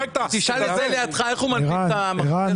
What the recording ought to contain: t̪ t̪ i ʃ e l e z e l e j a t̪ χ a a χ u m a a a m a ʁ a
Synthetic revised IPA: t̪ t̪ i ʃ a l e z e l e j a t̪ χ a e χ u m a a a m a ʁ a